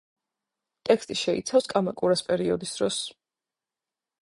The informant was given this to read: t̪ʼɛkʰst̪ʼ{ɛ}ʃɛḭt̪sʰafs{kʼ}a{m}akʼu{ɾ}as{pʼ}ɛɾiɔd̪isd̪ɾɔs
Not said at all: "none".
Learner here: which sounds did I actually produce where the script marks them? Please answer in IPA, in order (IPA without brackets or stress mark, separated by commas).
i, kʼ, m, ɾ, pʼ